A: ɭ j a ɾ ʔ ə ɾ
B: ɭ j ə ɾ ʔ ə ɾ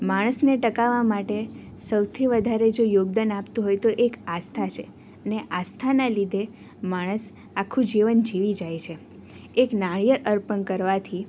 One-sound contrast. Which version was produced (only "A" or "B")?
B